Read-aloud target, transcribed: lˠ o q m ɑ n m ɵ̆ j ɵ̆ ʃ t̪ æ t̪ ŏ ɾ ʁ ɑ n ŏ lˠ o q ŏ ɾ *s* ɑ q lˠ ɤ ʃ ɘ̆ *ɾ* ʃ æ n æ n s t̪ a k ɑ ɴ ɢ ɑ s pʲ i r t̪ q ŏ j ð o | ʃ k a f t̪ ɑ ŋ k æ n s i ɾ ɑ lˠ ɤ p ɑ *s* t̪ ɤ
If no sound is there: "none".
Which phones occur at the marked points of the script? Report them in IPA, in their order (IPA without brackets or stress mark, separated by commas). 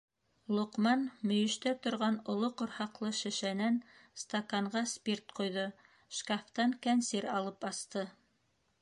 h, none, s